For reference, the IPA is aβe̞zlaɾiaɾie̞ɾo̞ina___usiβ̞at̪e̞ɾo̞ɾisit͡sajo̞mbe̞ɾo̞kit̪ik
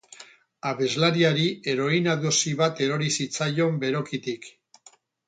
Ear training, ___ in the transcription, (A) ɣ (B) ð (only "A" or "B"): B